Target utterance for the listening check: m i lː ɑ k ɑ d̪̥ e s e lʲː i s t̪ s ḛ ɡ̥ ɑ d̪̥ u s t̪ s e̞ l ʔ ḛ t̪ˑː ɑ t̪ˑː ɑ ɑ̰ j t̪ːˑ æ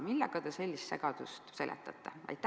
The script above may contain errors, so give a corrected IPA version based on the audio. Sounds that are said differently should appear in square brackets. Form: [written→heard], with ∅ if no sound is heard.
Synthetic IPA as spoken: m i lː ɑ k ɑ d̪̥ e s e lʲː i s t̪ s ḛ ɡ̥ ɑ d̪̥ u s t̪ s e̞ l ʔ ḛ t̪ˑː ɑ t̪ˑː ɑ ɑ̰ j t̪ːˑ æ